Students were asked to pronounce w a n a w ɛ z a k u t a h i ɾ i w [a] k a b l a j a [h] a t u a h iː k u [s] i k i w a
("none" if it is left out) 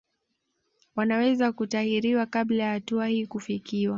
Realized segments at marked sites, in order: a, h, f

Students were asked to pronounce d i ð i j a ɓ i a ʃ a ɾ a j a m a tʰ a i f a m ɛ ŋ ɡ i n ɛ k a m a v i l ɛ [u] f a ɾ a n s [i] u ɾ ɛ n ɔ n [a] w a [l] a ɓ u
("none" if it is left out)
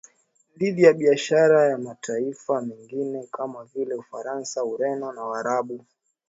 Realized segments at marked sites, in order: u, a, a, ɾ

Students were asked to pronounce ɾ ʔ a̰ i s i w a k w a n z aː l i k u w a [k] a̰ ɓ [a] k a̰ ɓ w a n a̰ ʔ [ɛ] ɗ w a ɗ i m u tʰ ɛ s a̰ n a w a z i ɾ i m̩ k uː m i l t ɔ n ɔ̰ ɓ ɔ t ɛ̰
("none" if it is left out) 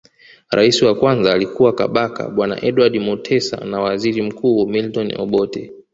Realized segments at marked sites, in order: k, a, ɛ

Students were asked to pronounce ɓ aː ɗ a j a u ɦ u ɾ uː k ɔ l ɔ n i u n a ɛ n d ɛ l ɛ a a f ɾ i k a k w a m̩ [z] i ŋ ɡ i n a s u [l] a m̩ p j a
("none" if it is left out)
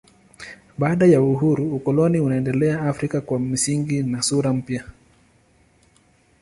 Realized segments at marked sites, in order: s, ɾ

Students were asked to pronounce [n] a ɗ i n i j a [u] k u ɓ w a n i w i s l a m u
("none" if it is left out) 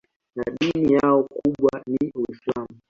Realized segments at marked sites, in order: n, ɔ

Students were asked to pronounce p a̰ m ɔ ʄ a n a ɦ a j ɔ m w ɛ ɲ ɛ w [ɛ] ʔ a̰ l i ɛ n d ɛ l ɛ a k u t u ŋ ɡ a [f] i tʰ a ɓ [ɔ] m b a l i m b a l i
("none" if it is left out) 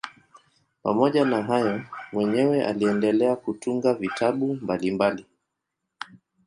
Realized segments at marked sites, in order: ɛ, v, u

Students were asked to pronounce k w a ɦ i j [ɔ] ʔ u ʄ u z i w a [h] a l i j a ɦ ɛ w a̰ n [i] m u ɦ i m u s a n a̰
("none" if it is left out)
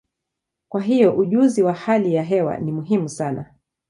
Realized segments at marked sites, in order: ɔ, h, i

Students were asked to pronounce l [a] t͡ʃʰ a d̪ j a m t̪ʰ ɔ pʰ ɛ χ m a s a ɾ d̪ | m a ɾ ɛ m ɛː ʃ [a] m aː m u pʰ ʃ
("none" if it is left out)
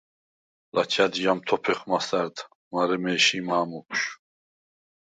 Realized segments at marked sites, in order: a, i

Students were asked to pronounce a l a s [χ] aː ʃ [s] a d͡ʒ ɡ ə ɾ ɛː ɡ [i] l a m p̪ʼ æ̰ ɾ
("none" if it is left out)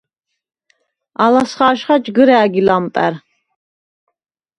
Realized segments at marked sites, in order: χ, χ, i

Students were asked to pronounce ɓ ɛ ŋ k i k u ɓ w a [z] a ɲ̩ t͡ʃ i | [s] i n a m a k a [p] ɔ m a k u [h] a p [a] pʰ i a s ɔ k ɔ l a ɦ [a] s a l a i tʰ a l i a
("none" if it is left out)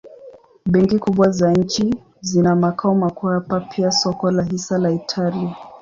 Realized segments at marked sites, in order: z, z, none, h, a, i

